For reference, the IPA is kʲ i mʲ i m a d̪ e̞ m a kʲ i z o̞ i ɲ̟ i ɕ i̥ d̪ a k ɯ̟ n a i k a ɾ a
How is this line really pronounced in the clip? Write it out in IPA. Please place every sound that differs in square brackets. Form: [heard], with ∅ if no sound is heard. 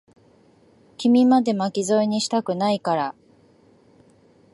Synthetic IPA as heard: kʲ i mʲ i m a d̪ e̞ m a kʲ i z o̞ i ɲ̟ i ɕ i̥ [t̪] a k ɯ̟ n a i k a ɾ a